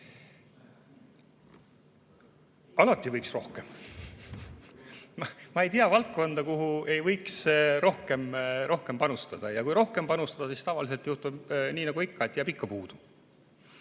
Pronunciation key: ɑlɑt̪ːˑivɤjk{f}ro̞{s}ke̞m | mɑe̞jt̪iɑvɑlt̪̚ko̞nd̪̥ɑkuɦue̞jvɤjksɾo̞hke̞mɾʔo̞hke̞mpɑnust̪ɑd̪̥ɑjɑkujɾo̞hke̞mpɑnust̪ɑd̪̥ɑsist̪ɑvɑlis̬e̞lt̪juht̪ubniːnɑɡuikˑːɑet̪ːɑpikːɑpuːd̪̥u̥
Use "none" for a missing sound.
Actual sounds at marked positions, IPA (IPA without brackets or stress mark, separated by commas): s, h